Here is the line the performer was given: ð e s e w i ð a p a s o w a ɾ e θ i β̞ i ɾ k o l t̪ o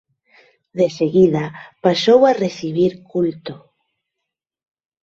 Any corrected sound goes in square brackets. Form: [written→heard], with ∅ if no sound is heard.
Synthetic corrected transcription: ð e s e [w→ɣ] i ð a p a s o w a [ɾ→r] e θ i β̞ i ɾ k [o→u] l t̪ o